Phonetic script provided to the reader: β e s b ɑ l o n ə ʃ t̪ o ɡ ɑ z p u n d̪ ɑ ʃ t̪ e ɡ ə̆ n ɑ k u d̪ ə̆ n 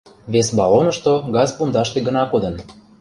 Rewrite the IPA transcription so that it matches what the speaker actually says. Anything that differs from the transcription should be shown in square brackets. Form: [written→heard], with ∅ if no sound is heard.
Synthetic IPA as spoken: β e s b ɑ l o n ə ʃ t̪ o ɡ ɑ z p u n d̪ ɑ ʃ t̪ e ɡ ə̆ n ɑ k [u→o] d̪ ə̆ n